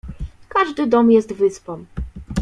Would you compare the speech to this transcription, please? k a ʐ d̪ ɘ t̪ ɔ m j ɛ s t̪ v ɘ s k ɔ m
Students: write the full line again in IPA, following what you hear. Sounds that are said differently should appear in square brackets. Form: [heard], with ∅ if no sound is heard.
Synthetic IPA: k a ʐ d̪ ɘ [d̪] ɔ m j ɛ s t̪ v ɘ s [p] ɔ m